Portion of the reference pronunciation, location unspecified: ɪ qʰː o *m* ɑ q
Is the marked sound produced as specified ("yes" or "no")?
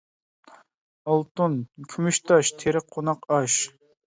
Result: no